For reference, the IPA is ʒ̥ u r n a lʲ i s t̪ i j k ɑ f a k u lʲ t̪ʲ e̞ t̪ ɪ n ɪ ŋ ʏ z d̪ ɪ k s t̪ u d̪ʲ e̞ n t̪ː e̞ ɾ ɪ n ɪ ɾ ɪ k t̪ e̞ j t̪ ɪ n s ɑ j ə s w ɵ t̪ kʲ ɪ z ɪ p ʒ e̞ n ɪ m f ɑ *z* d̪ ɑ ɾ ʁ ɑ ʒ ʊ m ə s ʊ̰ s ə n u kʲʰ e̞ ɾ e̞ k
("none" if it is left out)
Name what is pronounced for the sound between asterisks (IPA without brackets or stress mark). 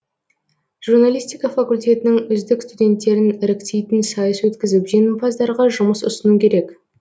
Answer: z